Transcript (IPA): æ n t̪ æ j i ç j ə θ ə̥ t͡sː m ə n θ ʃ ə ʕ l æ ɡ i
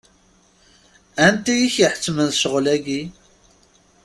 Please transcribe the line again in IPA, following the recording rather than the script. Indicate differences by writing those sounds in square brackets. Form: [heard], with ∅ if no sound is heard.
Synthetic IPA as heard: æ n t̪ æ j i ç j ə [ħ] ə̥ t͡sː m ə n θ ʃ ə [ʁ] l æ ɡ i